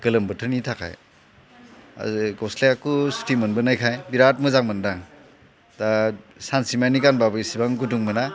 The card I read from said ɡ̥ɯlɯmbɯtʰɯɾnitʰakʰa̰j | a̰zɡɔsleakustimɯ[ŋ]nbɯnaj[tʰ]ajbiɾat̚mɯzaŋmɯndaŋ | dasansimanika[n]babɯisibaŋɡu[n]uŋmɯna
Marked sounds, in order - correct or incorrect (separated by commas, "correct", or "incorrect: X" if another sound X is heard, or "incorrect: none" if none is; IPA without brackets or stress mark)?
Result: incorrect: none, incorrect: kʰ, correct, incorrect: d